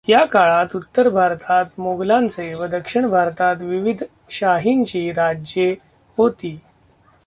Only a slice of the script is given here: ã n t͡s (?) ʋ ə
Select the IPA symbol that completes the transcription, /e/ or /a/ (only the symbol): e